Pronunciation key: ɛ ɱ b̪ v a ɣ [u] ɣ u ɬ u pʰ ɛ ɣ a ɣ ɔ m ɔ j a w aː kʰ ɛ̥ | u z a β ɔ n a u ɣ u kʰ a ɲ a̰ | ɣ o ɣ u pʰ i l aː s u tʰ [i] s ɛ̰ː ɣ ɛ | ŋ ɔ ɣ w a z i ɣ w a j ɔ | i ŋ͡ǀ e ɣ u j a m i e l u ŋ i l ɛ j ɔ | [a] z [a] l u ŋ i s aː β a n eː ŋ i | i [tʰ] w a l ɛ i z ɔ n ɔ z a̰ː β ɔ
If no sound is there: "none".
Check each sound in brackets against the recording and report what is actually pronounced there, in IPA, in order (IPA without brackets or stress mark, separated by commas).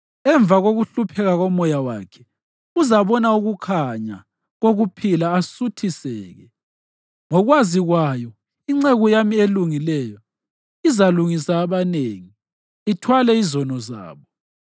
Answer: o, i, i, a, tʰ